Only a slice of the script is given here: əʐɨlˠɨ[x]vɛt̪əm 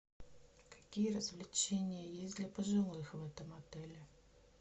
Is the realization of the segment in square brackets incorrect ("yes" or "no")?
no